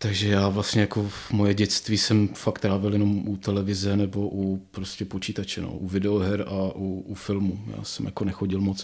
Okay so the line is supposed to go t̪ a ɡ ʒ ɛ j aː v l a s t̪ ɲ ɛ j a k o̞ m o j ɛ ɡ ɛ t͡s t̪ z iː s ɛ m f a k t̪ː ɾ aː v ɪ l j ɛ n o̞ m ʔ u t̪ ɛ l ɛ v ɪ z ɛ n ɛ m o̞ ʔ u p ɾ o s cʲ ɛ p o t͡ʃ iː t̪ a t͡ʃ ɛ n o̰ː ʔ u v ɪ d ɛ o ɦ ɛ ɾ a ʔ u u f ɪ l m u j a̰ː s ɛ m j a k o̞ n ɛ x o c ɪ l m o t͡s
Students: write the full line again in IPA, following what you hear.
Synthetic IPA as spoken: t̪ a ɡ ʒ ɛ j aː v l a s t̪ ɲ ɛ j a k o̞ m o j ɛ ɟ ɛ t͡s t̪ v iː s ɛ m f a k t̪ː ɾ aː v ɪ l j ɛ n o̞ m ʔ u t̪ ɛ l ɛ v ɪ z ɛ n ɛ b o̞ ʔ u p ɾ o s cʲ ɛ p o t͡ʃ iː t̪ a t͡ʃ ɛ n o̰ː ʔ u v ɪ d ɛ o ɦ ɛ ɾ a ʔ u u f ɪ l m u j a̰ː s ɛ m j a k o̞ n ɛ x o ɟ ɪ l m o t͡s